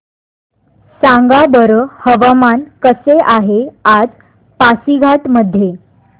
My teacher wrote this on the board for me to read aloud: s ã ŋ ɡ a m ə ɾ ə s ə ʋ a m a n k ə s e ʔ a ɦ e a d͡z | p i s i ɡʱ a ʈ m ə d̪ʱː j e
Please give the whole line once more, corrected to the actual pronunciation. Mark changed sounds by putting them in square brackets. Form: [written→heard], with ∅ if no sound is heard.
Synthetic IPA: s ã ŋ ɡ a [m→b] ə ɾ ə [s→h] ə ʋ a m a n k ə s e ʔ a ɦ e a d͡z | p [i→a] s i ɡʱ a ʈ m ə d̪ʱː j e